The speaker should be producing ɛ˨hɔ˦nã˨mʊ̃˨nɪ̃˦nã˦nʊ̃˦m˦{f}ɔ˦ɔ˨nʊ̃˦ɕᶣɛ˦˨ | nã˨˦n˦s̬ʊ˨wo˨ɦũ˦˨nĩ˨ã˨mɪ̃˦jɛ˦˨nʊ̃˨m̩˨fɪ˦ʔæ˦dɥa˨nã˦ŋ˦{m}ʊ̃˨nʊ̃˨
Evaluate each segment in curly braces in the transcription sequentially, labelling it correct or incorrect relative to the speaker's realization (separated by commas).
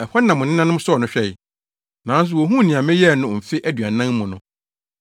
incorrect, correct